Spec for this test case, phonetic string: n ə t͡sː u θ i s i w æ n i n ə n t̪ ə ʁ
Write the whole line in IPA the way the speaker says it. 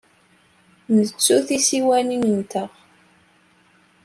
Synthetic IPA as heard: n ə t͡sː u θ i s i w æ n i n ə n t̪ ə ʁ